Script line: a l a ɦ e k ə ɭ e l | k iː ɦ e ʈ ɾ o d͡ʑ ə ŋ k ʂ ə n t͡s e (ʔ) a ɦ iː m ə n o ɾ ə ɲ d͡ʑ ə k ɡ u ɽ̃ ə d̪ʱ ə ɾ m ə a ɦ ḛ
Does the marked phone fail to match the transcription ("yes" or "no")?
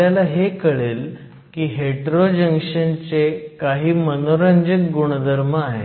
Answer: yes